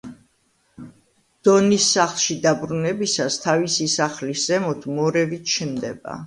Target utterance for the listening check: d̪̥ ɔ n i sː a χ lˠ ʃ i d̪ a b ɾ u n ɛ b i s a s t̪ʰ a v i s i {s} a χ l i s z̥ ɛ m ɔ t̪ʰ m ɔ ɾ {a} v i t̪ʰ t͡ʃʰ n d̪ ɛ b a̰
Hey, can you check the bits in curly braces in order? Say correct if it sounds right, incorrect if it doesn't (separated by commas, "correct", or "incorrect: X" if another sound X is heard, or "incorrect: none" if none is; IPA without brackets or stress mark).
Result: correct, incorrect: ɛ